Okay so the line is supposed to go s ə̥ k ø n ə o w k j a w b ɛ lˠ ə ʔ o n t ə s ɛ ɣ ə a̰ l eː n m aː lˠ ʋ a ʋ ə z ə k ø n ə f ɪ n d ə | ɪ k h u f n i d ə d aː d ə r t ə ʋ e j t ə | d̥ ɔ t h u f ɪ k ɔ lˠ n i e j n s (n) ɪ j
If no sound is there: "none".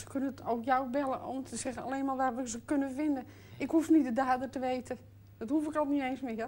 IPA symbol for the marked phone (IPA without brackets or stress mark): m